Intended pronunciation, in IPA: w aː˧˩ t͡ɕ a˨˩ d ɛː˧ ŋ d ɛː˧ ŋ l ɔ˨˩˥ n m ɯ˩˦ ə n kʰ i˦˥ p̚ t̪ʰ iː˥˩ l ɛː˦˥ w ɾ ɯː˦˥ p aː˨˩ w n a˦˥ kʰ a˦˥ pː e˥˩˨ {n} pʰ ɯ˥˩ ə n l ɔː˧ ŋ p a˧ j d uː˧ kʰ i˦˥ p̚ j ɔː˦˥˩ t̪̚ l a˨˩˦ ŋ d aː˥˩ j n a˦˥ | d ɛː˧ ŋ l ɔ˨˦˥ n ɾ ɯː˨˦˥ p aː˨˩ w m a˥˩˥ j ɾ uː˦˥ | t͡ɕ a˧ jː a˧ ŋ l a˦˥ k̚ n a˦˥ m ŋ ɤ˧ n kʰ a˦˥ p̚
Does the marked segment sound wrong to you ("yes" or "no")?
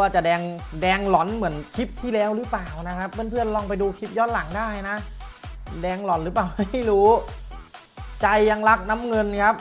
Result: no